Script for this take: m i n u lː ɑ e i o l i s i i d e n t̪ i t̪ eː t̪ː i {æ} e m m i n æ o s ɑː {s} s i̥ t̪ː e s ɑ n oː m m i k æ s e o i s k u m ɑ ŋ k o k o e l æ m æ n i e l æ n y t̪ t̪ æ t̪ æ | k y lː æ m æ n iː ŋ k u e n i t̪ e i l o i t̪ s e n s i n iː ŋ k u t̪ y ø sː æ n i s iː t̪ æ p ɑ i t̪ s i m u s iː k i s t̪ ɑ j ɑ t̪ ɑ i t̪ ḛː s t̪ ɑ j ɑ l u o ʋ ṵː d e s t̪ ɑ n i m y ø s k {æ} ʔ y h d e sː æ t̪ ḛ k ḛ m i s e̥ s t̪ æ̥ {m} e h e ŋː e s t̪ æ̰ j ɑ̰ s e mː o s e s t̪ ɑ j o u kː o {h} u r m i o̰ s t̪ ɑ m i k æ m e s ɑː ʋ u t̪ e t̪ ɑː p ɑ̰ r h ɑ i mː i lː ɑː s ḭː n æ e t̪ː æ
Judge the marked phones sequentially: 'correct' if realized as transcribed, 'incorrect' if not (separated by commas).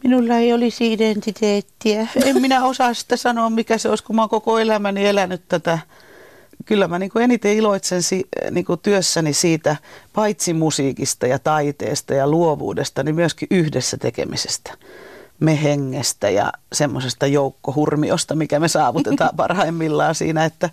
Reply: correct, correct, incorrect, correct, correct